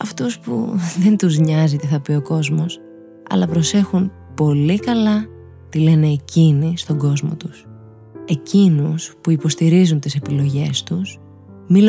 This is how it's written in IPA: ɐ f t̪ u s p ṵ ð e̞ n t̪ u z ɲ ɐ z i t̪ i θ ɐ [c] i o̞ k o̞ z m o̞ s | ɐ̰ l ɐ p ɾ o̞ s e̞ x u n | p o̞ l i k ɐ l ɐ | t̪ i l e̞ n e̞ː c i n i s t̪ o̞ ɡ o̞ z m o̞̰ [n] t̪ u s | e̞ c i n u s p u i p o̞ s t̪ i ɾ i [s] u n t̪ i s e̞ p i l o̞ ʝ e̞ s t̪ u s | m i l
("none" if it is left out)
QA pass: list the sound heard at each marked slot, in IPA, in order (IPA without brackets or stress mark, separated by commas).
p, none, z